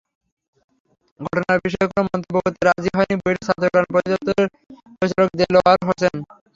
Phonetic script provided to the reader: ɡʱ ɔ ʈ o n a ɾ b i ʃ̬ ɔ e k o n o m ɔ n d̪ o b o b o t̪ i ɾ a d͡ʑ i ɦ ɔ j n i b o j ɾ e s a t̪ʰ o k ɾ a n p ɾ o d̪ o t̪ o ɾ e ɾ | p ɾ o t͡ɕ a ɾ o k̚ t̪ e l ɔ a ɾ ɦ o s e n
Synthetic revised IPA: ɡʱ ɔ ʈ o n a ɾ b i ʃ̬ ɔ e k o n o m ɔ n t̪ o b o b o t̪ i ɾ a d͡ʑ i ɦ ɔ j n i b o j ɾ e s a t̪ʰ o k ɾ a n p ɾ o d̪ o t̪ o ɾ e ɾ | p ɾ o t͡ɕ a ɾ o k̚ d̪ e l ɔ a ɾ ɦ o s e n